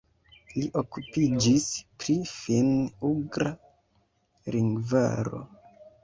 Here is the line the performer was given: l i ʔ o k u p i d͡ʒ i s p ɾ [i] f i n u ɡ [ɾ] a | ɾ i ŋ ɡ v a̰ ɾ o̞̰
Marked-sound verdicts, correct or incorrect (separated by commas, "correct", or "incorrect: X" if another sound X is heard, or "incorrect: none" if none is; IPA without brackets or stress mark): correct, correct